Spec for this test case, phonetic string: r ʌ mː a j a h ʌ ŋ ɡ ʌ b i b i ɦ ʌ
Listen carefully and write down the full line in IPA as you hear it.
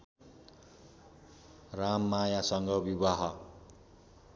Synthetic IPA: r a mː a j a s ʌ ŋ ɡ ʌ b i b a ɦ ʌ